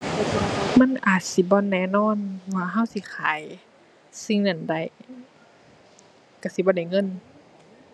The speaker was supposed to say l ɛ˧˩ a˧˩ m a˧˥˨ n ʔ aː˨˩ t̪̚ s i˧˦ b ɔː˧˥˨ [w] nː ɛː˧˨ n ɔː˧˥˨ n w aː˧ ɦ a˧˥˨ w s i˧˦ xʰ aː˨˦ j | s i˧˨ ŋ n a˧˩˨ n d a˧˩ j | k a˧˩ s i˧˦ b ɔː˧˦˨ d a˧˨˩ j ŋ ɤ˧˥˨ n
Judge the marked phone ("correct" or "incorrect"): incorrect